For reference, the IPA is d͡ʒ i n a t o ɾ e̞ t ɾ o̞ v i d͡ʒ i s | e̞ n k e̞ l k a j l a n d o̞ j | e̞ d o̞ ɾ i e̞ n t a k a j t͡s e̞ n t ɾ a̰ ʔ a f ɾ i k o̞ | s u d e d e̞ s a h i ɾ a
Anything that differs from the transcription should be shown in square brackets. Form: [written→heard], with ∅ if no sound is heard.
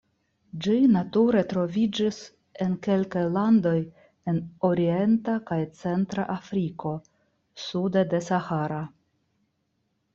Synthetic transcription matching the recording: d͡ʒ i n a t [o→u] ɾ e̞ t ɾ o̞ v i d͡ʒ i s | e̞ n k e̞ l k a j l a n d o̞ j | e̞ [d→n] o̞ ɾ i e̞ n t a k a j t͡s e̞ n t ɾ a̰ ʔ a f ɾ i k o̞ | s u d e d e̞ s a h [i→a] ɾ a